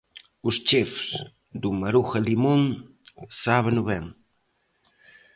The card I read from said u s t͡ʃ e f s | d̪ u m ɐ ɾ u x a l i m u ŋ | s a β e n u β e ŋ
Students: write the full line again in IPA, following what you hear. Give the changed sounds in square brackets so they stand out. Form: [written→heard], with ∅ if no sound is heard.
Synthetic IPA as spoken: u s t͡ʃ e f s | d̪ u m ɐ ɾ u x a l i m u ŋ | s a β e n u β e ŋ